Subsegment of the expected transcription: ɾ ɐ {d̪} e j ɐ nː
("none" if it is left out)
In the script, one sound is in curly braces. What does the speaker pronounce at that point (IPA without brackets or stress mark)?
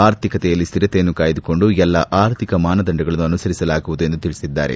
t̪